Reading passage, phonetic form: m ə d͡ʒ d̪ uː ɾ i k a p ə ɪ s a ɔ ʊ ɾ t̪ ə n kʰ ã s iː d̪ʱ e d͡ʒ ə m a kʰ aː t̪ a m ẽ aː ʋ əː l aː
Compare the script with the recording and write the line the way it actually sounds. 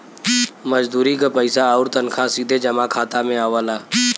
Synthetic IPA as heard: m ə d͡ʒ d̪ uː ɾ i k a p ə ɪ s a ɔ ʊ ɾ t̪ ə n kʰ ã s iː d̪ʱ e d͡ʒ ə m a kʰ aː t̪ a m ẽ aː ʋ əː l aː